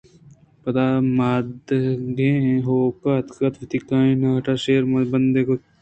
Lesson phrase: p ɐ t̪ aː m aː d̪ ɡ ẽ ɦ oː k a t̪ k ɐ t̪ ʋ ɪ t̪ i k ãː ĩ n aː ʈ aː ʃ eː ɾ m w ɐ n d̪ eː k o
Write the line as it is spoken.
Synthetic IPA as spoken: p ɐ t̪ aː m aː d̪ ɡ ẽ ɦ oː k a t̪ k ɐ t̪ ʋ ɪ t̪ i k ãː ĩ n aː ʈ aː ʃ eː ɾ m b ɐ n d̪ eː k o